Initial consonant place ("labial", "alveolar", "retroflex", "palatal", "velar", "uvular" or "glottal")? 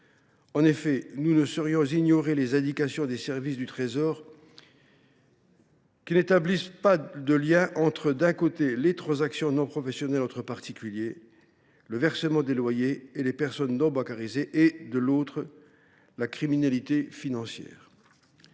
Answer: alveolar